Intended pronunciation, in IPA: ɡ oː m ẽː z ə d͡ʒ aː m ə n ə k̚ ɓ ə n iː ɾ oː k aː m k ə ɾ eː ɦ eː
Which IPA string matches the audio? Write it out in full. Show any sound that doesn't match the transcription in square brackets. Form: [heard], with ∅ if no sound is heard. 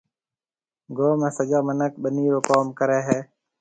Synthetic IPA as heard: ɡ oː m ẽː [s] ə d͡ʒ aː m ə n ə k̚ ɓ ə n iː ɾ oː k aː m k ə ɾ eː ɦ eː